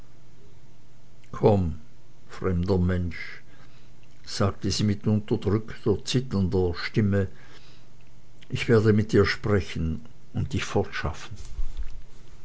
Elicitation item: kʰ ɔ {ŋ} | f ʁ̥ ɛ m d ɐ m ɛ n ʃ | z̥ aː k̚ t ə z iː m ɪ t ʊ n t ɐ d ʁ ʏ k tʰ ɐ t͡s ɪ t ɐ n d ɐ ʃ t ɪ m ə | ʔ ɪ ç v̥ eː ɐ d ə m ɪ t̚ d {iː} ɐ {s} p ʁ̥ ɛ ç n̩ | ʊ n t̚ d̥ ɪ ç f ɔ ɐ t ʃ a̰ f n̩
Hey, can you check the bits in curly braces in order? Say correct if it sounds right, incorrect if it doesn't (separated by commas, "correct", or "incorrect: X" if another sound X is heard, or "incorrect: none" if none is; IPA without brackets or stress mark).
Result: incorrect: m, correct, incorrect: ʃ